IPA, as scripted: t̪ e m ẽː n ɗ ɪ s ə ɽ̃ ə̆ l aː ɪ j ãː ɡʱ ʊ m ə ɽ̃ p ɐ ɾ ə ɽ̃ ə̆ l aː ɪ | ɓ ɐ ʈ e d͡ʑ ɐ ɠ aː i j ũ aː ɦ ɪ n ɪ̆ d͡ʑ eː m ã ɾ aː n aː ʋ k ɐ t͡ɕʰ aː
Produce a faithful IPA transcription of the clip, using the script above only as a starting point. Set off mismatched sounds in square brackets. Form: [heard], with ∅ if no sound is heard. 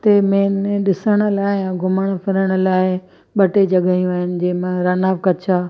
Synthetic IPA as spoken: t̪ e m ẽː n ɗ ɪ s ə ɽ̃ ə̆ l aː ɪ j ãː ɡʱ ʊ m ə ɽ̃ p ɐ ɾ ə ɽ̃ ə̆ l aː ɪ | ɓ ɐ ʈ e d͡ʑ ɐ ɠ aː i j ũ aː ɦ ɪ n ɪ̆ d͡ʑ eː m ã ɾ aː n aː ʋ k ɐ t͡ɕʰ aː